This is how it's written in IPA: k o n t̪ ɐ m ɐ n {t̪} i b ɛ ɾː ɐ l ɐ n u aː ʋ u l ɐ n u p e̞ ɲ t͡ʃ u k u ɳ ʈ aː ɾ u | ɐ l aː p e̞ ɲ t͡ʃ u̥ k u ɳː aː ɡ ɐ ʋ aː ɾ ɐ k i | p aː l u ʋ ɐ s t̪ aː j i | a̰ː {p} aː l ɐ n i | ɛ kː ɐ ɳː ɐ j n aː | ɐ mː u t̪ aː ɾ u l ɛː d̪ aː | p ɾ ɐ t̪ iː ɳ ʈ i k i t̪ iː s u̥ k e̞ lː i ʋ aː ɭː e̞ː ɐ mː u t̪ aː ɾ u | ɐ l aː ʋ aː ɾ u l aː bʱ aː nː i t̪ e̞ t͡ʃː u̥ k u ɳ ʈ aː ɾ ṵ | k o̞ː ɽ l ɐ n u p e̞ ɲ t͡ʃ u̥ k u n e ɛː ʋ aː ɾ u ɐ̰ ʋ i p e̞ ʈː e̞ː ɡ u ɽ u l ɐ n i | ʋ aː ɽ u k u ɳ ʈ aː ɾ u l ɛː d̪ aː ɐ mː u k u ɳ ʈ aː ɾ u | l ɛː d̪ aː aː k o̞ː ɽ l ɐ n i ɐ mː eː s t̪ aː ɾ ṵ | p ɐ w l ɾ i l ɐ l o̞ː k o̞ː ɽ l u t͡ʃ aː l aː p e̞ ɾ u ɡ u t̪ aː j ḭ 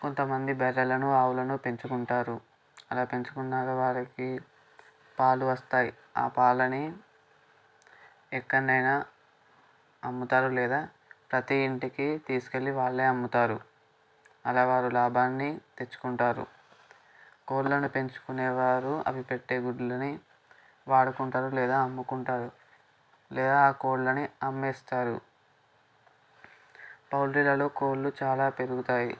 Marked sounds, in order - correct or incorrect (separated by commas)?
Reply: incorrect, correct